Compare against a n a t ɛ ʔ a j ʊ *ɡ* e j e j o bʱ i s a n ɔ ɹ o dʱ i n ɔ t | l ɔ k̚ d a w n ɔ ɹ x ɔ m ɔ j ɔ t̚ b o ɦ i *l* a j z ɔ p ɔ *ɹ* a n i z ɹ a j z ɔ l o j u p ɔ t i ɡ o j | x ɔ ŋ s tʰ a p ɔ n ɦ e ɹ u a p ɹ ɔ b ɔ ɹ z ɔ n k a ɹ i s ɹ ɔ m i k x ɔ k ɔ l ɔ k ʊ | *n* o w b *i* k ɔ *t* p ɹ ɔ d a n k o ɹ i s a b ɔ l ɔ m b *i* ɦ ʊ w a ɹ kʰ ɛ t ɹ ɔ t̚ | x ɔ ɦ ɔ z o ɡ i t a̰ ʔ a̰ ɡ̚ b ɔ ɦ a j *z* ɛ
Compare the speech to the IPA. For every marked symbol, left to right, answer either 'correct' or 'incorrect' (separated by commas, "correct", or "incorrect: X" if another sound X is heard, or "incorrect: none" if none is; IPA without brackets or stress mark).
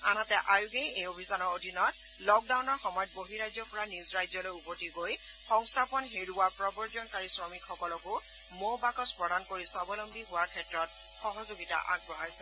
correct, incorrect: ɹ, correct, incorrect: m, incorrect: a, incorrect: s, correct, incorrect: s